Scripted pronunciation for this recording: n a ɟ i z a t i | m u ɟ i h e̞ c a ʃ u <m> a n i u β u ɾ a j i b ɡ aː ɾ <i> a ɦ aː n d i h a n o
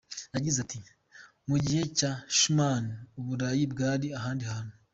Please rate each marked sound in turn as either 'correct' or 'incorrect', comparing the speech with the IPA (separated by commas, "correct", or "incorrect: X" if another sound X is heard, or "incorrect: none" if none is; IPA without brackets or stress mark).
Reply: correct, correct